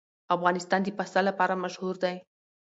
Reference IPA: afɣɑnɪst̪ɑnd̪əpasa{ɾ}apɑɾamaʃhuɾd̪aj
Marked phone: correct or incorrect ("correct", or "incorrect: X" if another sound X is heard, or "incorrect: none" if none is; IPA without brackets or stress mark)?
incorrect: l